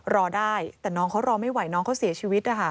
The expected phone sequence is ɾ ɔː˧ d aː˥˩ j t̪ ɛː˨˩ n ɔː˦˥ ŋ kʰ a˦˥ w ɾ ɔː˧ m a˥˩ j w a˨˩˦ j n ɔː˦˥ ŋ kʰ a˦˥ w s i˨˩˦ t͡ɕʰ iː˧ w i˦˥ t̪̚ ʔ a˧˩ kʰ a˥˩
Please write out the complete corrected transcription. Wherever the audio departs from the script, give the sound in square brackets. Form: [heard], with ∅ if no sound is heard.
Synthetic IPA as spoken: ɾ ɔː˧ d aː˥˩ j t̪ ɛː˨˩ n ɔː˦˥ ŋ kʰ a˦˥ w ɾ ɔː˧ m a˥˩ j w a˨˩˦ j n ɔː˦˥ ŋ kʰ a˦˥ w s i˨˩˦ t͡ɕʰ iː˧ w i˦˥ t̪̚ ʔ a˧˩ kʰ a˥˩